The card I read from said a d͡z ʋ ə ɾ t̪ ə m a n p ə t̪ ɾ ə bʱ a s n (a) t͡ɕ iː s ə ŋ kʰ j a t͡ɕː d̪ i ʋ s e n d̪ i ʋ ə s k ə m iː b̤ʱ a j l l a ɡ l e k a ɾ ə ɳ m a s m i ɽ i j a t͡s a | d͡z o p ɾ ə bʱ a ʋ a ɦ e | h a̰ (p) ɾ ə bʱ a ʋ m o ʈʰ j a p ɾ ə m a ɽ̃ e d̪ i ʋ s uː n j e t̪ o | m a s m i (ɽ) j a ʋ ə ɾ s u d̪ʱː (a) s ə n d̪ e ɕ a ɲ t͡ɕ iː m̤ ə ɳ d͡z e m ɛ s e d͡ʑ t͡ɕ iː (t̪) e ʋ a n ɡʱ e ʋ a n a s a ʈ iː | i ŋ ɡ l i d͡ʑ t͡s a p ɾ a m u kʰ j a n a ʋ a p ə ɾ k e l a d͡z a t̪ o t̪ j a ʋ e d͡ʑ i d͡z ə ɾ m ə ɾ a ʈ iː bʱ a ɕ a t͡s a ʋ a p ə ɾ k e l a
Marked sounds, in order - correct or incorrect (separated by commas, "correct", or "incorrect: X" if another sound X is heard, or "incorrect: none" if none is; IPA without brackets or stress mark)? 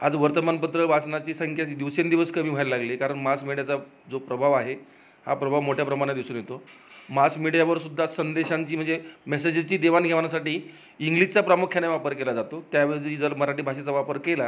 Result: correct, correct, correct, correct, incorrect: d̪